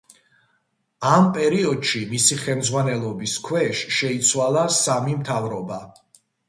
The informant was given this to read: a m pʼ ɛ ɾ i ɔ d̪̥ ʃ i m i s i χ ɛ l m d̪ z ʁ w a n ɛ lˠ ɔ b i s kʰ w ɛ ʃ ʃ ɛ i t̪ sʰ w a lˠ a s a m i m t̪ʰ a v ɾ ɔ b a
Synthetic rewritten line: a m pʼ ɛ ɾ i ɔ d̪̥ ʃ i m i s i χ ɛ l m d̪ z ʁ w a n ɛ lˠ ɔ b i s kʰ w ɛ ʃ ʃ ɛ i t̪ sʰ w a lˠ a s a m i m t̪ʰ a v ɾ ɔ b a

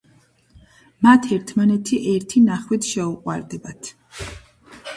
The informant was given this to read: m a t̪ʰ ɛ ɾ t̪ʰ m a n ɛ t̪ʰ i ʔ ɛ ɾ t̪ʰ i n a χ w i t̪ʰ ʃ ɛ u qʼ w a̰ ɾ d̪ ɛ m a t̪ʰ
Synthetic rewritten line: m a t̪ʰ ɛ ɾ t̪ʰ m a n ɛ t̪ʰ i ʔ ɛ ɾ t̪ʰ i n a χ w i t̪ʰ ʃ ɛ u qʼ w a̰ ɾ d̪ ɛ b a t̪ʰ

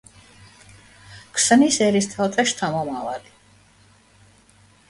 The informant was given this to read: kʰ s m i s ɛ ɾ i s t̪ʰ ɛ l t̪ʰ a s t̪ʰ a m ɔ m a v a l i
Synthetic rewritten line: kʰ s n i s ɛ ɾ i s t̪ʰ a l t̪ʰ a ʃ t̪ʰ a m ɔ m a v a l i

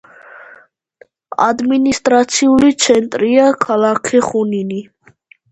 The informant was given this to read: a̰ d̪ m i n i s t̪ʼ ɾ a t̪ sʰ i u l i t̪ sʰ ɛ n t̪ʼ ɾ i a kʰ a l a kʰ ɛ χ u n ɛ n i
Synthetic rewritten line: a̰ d̪ m i n i s t̪ʼ ɾ a t̪ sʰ i u l i t̪ sʰ ɛ n t̪ʼ ɾ i a kʰ a l a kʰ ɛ χ u n i n i

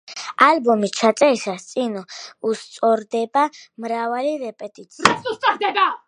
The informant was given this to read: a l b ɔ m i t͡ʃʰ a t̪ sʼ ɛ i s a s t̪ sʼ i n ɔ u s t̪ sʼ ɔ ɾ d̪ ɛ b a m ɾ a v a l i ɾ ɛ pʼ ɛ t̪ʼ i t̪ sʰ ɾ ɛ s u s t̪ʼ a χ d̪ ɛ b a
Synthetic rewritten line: a l b ɔ m i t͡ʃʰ a t̪ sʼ ɛ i s a s t̪ sʼ i n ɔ u s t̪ sʼ ɔ ɾ d̪ ɛ b a m ɾ a v a l i ɾ ɛ pʼ ɛ t̪ʼ i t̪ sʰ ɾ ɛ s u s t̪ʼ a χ d̪ ɛ b a

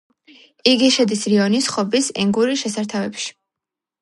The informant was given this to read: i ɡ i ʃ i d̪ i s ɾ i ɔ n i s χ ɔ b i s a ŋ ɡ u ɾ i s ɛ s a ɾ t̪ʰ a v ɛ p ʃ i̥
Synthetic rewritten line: i ɡ i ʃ ɛ d̪ i s ɾ i ɔ n i s χ ɔ b i s ɛ ŋ ɡ u ɾ i ʃ ɛ s a ɾ t̪ʰ a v ɛ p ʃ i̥

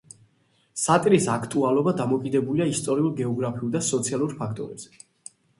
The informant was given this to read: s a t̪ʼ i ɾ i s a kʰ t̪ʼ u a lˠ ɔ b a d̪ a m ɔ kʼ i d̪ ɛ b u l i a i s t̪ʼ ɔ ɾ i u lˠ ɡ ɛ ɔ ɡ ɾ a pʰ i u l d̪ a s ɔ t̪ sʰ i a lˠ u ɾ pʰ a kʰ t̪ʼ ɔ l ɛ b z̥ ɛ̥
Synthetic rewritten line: s a t̪ʼ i ɾ i s a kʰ t̪ʼ u a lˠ ɔ b a d̪ a m ɔ kʼ i d̪ ɛ b u l i a i s t̪ʼ ɔ ɾ i u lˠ ɡ ɛ ɔ ɡ ɾ a pʰ i u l d̪ a s ɔ t̪ sʰ i a lˠ u ɾ pʰ a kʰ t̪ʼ ɔ ɾ ɛ b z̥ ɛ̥

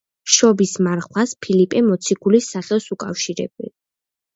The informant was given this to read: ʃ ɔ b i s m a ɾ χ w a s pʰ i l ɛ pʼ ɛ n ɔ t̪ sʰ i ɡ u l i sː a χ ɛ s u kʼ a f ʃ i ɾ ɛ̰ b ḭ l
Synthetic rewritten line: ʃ ɔ b i s m a ɾ χ w a s pʰ i l i pʼ ɛ m ɔ t̪ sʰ i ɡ u l i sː a χ ɛ s u kʼ a f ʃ i ɾ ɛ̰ b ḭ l

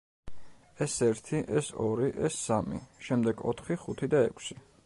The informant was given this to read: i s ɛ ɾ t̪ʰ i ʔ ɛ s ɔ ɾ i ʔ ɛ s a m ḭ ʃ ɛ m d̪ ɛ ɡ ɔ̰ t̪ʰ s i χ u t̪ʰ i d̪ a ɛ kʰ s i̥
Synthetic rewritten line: ɛ s ɛ ɾ t̪ʰ i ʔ ɛ s ɔ ɾ i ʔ ɛ s a m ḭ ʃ ɛ m d̪ ɛ ɡ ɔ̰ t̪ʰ χ i χ u t̪ʰ i d̪ a ɛ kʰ s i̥

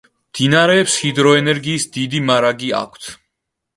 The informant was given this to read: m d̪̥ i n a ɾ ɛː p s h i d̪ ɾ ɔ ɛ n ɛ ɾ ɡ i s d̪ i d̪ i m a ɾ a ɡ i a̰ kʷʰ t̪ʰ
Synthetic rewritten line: m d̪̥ i n a ɾ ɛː p s h i d̪ ɾ ɔ ɛ n ɛ ɾ ɡ iː s d̪ i d̪ i m a ɾ a ɡ i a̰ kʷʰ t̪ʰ

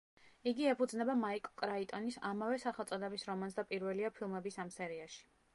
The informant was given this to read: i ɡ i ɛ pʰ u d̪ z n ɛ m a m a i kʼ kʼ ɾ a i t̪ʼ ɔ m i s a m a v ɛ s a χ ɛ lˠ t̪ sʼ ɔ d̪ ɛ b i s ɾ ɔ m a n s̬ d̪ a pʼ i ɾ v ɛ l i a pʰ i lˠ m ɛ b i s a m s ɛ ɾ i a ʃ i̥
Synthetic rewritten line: i ɡ i ɛ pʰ u d̪ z n ɛ b a m a i kʼ kʼ ɾ a i t̪ʼ ɔ n i s a m a v ɛ s a χ ɛ lˠ t̪ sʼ ɔ d̪ ɛ b i s ɾ ɔ m a n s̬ d̪ a pʼ i ɾ v ɛ l i a pʰ i lˠ m ɛ b i s a m s ɛ ɾ i a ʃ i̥

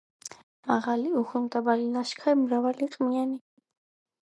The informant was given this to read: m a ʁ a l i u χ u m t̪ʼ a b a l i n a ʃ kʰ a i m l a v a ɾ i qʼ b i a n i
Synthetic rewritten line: m a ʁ a l i u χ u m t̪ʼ a b a l i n a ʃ kʰ a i m ɾ a v a l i qʼ m i a n i

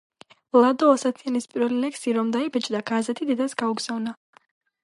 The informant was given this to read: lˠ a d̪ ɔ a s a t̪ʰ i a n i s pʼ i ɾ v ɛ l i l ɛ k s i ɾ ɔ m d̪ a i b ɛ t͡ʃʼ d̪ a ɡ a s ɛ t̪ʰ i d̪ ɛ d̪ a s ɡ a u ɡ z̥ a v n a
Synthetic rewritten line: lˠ a d̪ ɔ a s a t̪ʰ i a n i s pʼ i ɾ v ɛ l i l ɛ k s i ɾ ɔ m d̪ a i b ɛ t͡ʃʼ d̪ a ɡ a z ɛ t̪ʰ i d̪ ɛ d̪ a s ɡ a u ɡ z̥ a v n a

